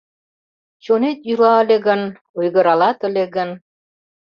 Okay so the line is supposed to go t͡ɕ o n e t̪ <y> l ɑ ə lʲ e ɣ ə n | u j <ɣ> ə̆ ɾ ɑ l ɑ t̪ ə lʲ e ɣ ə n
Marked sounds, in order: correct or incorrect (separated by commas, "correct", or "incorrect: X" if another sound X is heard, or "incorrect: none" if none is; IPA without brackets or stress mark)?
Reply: correct, correct